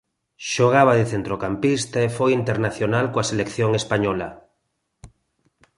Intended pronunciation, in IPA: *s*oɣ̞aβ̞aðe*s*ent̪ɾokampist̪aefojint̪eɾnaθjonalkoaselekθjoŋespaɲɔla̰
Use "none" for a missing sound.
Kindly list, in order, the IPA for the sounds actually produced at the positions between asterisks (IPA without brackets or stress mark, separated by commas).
ʃ, θ